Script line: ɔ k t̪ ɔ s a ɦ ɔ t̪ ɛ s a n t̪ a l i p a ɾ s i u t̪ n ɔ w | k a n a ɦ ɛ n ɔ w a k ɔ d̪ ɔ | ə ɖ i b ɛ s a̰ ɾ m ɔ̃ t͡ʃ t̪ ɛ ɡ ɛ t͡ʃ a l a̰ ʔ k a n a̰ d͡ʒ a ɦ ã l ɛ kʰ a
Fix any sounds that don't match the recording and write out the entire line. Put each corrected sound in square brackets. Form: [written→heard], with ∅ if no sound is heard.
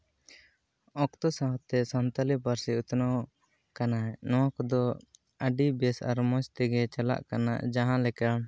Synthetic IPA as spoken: ɔ k t̪ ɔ s a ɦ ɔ t̪ ɛ s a n t̪ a l i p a ɾ s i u t̪ n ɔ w | k a n a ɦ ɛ n ɔ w a k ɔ d̪ ɔ | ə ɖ i b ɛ s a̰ ɾ m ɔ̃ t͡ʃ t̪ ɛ ɡ ɛ t͡ʃ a l a̰ ʔ k a n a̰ d͡ʒ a ɦ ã l ɛ [kʰ→k] a